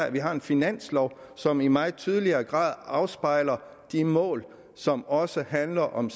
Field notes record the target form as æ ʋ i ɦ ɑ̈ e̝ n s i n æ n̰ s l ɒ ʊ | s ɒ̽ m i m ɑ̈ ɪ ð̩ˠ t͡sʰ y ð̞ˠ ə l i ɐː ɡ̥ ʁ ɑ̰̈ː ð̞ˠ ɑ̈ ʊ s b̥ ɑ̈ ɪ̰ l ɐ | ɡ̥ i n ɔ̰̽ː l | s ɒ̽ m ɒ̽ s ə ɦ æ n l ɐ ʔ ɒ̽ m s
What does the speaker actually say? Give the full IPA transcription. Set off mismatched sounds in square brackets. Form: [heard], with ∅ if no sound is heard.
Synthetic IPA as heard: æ ʋ i ɦ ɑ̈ e̝ n [f] i n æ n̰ s l ɒ ʊ | s ɒ̽ m i m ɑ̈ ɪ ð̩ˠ t͡sʰ y ð̞ˠ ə l i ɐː ɡ̥ ʁ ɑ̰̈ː ð̞ˠ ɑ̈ ʊ s b̥ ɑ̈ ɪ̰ l ɐ | [d̥] i [m] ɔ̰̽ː l | s ɒ̽ m ɒ̽ s ə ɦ æ n l ɐ ʔ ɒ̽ m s